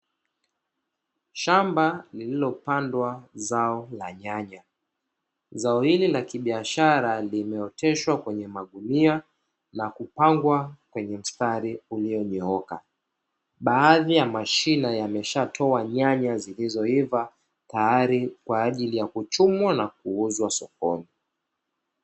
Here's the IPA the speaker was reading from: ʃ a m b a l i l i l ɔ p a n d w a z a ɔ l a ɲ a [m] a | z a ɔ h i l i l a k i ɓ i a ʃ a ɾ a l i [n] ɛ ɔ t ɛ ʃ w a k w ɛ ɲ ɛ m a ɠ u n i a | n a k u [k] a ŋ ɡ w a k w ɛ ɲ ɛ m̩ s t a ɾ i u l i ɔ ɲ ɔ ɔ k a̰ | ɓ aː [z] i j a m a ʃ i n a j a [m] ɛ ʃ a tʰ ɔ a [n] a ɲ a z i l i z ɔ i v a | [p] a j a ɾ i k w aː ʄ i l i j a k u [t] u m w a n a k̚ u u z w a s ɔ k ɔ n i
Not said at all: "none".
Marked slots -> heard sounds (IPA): ɲ, m, p, ð, m, ɲ, t, t͡ʃ

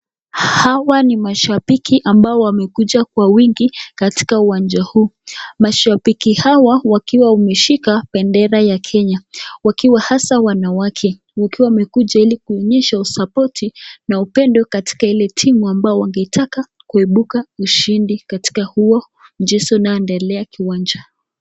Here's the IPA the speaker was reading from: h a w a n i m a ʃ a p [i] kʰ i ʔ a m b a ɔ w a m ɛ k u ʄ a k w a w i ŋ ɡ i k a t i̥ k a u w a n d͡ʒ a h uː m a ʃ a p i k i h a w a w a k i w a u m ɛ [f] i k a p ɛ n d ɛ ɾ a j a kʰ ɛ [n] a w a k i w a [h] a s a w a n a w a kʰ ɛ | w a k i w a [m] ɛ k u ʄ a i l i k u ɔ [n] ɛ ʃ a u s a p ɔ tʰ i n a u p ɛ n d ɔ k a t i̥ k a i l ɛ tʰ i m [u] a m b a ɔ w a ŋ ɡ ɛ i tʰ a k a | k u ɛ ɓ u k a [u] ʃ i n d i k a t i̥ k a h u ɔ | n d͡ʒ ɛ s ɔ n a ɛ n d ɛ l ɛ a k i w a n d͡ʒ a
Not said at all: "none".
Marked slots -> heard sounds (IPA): i, ʃ, ɲ, h, m, ɲ, u, u

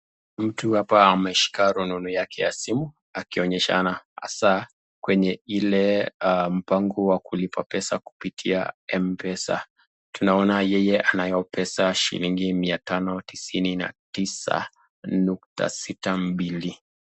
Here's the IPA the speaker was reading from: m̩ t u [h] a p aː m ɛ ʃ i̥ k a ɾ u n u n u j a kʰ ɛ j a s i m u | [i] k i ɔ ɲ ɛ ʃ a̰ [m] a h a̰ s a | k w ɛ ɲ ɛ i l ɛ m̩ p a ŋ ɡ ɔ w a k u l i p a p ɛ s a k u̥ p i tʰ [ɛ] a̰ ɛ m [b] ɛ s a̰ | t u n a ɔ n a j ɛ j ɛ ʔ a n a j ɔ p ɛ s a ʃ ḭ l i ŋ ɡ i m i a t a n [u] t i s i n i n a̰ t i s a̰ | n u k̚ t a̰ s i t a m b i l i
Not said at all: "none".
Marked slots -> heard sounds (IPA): h, a, n, i, p, ɔ

